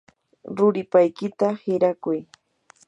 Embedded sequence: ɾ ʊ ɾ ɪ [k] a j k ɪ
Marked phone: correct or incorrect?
incorrect